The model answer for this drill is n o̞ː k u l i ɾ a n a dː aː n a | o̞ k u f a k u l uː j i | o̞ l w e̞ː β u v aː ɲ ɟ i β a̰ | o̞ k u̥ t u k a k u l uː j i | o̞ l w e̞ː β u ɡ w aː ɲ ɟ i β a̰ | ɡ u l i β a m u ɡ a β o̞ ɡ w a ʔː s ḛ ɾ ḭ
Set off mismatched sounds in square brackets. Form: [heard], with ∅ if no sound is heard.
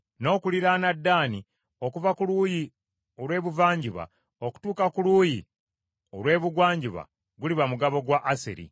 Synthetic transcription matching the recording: n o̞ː k u l i ɾ a n a dː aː n [i] | o̞ k u [v] a k u l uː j i | o̞ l w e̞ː β u v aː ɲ ɟ i β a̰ | o̞ k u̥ t [uː] k a k u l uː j i | o̞ l w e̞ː β u ɡ w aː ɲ ɟ i β a̰ | ɡ u l i β a m u ɡ a β o̞ ɡ w a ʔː s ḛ ɾ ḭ